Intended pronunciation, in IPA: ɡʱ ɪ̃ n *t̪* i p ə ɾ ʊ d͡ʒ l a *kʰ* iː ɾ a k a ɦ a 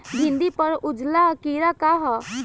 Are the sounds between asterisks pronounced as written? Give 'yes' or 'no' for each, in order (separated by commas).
no, no